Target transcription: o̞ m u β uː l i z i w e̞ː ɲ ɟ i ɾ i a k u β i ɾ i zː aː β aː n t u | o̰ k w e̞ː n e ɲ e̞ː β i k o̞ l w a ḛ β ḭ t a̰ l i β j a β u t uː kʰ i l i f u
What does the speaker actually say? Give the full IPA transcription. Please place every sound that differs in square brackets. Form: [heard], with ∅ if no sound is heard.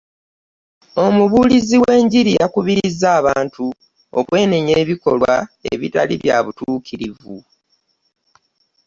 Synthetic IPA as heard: o̞ m u β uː l i z i w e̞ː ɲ ɟ i ɾ i a k u β i ɾ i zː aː β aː n t u | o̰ k w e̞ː n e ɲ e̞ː β i k o̞ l w a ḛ β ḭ t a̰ l i β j a β u t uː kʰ i [ɾ] i [v] u

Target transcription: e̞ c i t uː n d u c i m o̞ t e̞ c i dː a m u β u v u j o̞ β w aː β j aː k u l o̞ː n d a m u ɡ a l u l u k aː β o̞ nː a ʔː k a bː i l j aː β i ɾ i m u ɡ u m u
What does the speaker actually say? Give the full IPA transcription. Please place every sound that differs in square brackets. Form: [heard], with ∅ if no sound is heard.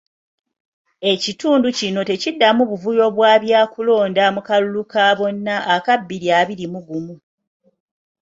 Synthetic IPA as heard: e̞ c i t uː n d u c i [n] o̞ t e̞ c i dː a m u β u v u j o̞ β w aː β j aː k u l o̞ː n d a m u [k] a l u l u k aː β o̞ nː a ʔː k a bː i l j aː β i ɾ i m u ɡ u m u

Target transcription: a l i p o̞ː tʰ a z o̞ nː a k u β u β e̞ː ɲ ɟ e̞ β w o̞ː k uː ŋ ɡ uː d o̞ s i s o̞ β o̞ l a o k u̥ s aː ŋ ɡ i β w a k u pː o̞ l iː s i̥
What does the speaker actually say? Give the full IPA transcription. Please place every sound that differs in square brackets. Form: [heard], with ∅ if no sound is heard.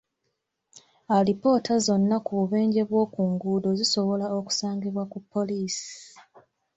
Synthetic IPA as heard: a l i p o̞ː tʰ a z o̞ nː a k u β u β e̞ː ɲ ɟ e̞ β w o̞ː k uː ŋ ɡ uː d o̞ [z] i s o̞ β o̞ l a o k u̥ s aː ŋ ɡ i β w a k u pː o̞ l iː s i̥

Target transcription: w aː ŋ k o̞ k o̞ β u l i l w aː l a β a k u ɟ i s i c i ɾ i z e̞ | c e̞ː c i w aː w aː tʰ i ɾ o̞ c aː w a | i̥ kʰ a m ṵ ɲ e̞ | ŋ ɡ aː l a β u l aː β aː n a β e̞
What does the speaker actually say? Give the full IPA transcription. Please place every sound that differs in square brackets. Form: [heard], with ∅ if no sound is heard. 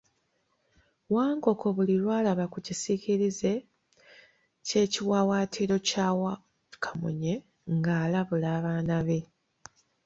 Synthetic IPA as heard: w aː ŋ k o̞ k o̞ β u l i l w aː l a β a k u [c] i s i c i ɾ i z e̞ | c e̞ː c i w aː w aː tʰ i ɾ o̞ c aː w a | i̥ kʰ a m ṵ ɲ e̞ | ŋ ɡ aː l a β u l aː β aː n a β e̞

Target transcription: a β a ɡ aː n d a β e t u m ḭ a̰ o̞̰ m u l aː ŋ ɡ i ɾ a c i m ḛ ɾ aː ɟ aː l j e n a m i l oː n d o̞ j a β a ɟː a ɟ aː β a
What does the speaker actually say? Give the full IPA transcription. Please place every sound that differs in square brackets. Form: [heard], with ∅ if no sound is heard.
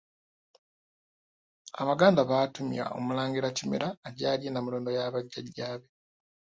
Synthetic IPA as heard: a β a ɡ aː n d a β [a] t u m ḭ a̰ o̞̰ m u l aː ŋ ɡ i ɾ a c i m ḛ ɾ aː ɟ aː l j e n a m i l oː n d o̞ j a β a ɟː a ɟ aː β [e]

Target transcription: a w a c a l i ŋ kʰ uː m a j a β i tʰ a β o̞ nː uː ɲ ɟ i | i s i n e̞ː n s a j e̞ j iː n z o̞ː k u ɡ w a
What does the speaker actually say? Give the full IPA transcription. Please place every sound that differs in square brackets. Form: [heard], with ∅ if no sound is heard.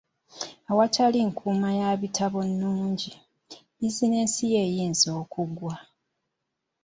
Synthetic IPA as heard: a w a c a l i ŋ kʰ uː m a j a β i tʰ a β o̞ nː uː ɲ ɟ i | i [z] i n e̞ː n s [i] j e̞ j iː n z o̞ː k u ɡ w a

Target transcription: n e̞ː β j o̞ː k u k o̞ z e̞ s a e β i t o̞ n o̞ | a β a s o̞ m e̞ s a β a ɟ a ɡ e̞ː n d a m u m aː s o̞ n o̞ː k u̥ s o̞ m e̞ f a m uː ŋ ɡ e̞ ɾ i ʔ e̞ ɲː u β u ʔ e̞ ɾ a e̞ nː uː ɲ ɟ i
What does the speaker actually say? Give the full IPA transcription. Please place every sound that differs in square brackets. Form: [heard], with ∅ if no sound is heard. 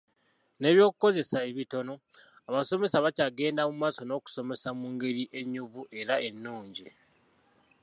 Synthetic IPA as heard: n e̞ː β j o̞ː k u k o̞ z e̞ s a e β i t o̞ n o̞ | a β a s o̞ m e̞ s a β a [c] a ɡ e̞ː n d a m u m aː s o̞ n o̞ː k u̥ s o̞ m e̞ [s] a m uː ŋ ɡ e̞ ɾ i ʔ e̞ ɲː u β u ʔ e̞ ɾ a e̞ nː uː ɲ ɟ i

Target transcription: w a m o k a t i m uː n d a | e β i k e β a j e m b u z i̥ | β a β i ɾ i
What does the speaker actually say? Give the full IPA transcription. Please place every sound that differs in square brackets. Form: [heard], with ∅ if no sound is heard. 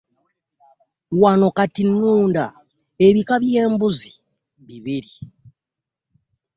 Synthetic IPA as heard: w a [n] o k a t i [n] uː n d a | e β i k [a] β [i] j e m b u z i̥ | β [i] β i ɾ i

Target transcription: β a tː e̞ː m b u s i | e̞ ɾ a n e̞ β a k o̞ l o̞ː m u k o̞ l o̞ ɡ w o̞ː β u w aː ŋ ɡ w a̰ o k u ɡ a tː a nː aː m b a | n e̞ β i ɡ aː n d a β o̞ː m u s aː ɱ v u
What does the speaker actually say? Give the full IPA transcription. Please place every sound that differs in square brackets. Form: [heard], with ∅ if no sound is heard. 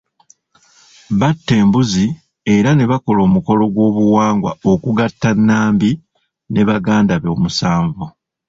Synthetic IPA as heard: β a tː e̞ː m b u [z] i | e̞ ɾ a n e̞ β a k o̞ l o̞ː m u k o̞ l o̞ ɡ w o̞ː β u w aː ŋ ɡ w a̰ o k u ɡ a tː a nː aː m b [i] | n e̞ β [a] ɡ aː n d a β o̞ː m u s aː ɱ v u

